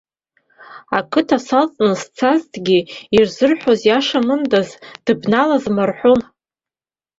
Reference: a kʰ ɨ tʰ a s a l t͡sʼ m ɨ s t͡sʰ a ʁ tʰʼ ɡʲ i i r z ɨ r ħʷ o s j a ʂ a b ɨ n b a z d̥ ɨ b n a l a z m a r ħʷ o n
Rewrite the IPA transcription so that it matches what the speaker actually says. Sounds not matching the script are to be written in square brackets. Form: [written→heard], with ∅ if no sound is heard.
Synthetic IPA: a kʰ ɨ tʰ a s a l t͡sʼ [m→n] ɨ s t͡sʰ a [ʁ→z] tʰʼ ɡʲ i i r z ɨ r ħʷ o [s→z] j a ʂ a [b→m] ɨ n [b→d] a z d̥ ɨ b n a l a z m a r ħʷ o n